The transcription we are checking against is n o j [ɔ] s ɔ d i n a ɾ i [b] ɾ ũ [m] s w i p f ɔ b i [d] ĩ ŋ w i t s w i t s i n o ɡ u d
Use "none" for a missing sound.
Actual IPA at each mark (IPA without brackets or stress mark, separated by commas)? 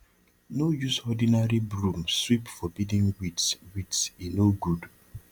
u, b, m, d